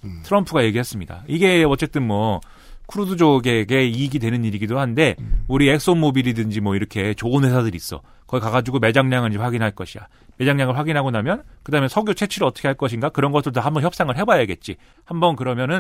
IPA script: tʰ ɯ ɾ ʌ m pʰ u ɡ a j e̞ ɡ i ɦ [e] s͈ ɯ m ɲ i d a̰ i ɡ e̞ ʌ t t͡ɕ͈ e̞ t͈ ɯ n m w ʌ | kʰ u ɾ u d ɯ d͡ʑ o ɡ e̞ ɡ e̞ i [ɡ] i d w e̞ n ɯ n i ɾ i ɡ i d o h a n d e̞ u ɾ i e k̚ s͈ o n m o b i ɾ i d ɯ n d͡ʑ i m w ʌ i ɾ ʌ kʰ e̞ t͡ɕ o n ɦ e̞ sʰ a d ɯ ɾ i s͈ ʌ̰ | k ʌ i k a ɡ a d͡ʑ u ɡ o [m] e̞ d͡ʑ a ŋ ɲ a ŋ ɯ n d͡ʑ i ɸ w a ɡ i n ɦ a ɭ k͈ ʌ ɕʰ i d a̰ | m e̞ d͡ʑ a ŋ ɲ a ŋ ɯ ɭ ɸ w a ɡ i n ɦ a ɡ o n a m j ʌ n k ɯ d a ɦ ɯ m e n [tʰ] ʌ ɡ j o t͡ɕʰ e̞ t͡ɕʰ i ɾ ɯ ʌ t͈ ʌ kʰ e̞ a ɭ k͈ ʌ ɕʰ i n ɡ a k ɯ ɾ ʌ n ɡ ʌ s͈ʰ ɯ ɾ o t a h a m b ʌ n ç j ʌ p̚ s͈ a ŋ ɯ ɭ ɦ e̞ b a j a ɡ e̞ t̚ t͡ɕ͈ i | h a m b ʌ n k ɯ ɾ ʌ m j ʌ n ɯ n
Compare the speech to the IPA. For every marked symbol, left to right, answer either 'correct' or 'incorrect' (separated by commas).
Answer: correct, correct, correct, incorrect